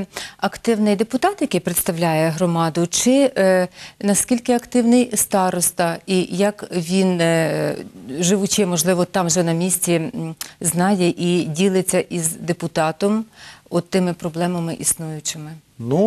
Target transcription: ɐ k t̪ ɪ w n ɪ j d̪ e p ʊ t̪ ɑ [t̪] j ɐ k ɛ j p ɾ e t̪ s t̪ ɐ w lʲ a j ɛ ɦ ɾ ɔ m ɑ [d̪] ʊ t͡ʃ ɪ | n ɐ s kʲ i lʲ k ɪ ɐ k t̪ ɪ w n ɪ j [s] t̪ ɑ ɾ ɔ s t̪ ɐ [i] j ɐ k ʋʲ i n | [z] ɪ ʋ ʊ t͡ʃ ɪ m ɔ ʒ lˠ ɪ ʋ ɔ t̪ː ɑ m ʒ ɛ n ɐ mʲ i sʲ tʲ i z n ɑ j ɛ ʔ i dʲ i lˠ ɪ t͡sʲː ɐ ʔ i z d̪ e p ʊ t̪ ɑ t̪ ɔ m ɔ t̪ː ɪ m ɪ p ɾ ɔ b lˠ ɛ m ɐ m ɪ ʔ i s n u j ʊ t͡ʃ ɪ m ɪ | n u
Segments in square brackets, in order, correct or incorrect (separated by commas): correct, correct, correct, correct, incorrect